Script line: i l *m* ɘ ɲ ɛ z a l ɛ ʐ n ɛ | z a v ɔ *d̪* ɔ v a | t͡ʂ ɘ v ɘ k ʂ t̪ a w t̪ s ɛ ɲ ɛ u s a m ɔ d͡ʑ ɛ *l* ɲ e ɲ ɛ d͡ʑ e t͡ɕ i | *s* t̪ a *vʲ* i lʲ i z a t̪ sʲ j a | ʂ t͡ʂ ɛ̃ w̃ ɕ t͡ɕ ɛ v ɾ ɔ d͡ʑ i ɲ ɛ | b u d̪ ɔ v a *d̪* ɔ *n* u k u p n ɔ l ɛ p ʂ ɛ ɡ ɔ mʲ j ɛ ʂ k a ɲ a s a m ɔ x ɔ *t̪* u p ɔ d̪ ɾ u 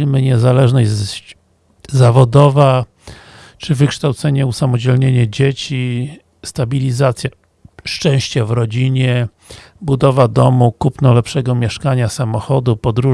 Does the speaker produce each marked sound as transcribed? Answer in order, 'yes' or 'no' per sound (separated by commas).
yes, yes, yes, yes, no, yes, no, no